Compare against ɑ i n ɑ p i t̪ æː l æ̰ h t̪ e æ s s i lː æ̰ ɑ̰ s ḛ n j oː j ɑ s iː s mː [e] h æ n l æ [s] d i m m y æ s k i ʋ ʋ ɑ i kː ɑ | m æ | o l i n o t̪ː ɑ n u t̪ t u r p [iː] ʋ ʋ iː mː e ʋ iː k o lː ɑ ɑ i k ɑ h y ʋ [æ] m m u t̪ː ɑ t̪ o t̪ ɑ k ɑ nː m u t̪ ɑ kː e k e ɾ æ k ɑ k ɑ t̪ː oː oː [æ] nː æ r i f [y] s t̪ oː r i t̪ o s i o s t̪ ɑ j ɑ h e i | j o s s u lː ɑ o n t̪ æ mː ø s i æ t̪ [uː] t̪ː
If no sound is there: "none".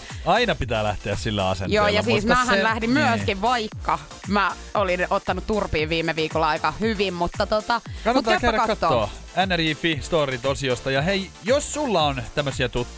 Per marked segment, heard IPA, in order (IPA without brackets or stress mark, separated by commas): æ, h, iː, i, æ, i, u